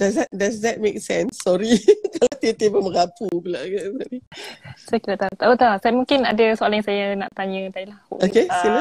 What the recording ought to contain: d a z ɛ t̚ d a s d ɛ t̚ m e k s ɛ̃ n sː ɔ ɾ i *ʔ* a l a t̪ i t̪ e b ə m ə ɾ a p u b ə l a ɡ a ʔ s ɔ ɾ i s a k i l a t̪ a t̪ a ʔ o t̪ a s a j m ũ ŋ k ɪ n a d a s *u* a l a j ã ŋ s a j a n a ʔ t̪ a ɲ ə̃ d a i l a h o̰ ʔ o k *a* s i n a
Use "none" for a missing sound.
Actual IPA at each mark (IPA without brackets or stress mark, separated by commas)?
k, o, e